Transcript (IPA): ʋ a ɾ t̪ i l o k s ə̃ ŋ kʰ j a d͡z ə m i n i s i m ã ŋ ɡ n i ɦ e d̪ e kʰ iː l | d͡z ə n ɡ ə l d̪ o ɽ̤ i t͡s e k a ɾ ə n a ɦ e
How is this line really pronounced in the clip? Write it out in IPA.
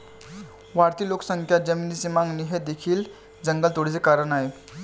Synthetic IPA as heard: ʋ a ɾ t̪ i l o k s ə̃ ŋ kʰ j a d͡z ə m i n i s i m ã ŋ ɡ n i ɦ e d̪ e kʰ iː l | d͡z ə ŋ ɡ ə l t̪ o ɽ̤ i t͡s e k a ɾ ə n a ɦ e